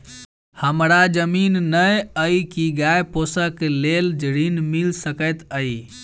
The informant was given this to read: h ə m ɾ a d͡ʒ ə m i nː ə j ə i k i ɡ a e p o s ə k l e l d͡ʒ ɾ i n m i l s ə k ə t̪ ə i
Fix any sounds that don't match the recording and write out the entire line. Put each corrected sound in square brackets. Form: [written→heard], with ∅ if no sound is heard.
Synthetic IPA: h ə m ɾ a d͡ʒ ə m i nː ə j ə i k i ɡ a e p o s ə k l e l d͡ʒ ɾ i n m i l s ə k ə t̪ ə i